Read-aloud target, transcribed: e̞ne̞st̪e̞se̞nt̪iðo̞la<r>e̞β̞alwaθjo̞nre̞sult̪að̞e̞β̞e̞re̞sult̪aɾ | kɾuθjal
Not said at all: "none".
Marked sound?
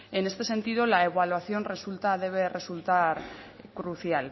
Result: none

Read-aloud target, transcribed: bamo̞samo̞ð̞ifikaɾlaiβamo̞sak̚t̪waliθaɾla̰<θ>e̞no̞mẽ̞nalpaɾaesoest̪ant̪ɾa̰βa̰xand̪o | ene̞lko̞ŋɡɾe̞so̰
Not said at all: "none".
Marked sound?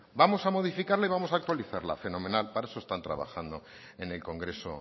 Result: f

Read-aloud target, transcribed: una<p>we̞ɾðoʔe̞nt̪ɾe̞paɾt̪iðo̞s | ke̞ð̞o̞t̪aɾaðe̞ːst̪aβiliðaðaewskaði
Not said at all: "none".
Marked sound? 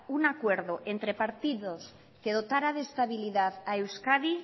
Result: k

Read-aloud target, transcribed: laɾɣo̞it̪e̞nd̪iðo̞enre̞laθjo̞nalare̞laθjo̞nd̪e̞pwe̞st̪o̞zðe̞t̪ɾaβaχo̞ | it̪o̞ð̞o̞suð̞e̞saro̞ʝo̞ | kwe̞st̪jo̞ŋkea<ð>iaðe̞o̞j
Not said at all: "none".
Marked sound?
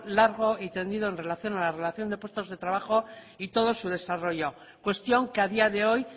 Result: ð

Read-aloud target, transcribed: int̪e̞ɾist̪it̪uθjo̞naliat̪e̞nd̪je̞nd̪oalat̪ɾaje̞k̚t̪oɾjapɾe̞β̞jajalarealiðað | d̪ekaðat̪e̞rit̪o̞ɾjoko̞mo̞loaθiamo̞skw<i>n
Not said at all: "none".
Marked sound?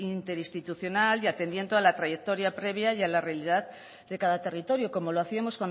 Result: a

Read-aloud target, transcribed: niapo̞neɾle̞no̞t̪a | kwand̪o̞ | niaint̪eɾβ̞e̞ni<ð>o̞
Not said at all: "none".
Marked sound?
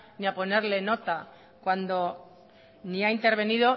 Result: ð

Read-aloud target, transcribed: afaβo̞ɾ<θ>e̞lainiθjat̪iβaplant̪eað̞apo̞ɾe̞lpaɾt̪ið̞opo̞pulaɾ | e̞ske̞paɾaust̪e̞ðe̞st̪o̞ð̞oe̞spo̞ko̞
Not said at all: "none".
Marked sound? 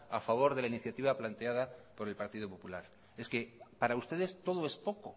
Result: ð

